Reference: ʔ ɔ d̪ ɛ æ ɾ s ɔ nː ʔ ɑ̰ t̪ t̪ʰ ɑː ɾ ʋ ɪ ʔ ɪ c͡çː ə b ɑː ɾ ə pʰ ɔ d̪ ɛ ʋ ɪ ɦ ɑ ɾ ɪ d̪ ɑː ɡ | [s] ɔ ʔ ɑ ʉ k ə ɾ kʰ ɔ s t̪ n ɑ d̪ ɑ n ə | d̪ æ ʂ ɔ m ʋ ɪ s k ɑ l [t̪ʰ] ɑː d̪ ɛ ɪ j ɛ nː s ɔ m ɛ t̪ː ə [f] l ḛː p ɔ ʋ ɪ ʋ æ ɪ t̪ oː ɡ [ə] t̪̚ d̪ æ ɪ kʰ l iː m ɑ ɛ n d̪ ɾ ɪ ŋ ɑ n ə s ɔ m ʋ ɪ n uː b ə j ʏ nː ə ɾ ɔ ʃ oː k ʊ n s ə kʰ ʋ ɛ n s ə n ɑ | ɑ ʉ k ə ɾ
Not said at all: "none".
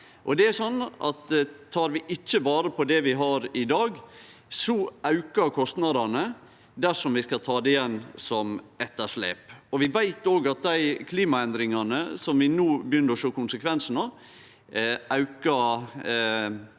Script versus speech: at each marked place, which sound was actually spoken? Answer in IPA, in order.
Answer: s, t̪ʰ, ʂ, ɑ

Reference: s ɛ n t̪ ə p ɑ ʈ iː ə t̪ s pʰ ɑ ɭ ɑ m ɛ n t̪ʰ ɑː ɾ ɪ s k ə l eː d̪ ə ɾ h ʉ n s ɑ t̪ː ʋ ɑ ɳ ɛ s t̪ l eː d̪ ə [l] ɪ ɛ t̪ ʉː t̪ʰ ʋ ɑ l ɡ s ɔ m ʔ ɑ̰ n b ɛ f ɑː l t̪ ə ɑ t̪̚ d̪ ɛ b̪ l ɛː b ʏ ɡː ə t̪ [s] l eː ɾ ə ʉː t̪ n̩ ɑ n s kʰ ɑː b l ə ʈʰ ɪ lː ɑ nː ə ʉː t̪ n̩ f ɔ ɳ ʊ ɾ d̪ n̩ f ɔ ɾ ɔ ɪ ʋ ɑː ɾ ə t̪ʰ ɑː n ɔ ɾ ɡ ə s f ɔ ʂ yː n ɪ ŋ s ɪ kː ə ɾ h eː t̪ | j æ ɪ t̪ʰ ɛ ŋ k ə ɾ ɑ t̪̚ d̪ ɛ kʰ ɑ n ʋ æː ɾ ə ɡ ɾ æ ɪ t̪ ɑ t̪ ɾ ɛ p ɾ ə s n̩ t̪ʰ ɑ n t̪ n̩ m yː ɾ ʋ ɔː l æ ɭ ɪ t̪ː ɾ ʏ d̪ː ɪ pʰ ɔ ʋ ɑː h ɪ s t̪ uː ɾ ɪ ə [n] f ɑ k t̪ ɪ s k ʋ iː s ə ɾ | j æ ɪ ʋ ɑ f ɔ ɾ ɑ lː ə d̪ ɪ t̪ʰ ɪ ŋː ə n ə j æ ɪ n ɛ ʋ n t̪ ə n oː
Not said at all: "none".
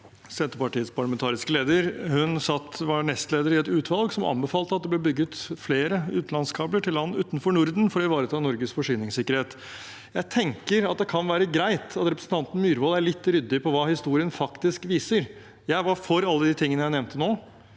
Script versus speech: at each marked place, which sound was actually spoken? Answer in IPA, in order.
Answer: ɾ, f, n

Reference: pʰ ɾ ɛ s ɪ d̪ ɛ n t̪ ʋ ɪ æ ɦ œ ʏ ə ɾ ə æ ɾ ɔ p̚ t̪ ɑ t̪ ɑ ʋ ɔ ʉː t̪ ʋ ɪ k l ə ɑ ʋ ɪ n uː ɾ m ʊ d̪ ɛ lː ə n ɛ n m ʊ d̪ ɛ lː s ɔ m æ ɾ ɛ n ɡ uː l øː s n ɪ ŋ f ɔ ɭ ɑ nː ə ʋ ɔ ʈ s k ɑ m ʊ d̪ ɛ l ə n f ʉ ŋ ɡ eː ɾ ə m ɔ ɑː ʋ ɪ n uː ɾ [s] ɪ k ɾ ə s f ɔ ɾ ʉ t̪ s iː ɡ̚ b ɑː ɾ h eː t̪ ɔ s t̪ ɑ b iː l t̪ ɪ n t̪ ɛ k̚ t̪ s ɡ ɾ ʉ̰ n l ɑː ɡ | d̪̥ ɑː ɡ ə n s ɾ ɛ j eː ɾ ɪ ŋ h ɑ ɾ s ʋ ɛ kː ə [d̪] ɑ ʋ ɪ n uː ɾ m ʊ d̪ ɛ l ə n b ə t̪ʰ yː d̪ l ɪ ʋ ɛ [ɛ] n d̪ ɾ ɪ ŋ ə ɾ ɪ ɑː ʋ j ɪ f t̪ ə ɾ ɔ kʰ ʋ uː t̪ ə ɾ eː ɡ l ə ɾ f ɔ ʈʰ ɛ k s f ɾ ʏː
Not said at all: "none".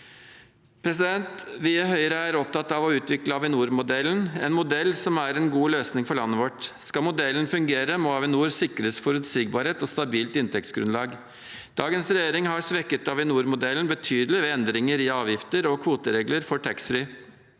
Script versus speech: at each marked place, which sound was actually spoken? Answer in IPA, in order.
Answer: s, t̪, ɛ

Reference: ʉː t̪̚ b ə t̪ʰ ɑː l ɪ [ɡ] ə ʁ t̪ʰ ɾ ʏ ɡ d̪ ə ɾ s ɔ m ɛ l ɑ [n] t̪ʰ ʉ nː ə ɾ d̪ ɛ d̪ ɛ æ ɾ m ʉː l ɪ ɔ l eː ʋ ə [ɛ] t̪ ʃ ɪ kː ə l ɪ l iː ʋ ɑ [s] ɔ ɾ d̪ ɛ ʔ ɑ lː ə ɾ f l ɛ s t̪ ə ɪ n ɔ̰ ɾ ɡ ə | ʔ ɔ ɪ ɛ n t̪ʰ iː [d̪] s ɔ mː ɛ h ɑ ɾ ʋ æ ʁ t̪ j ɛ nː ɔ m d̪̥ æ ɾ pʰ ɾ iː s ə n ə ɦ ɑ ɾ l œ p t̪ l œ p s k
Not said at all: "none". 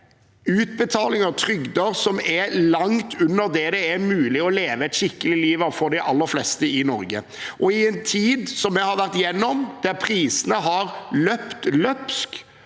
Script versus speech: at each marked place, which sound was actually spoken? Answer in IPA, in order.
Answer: ŋ, ŋ, ɛ, f, d̪

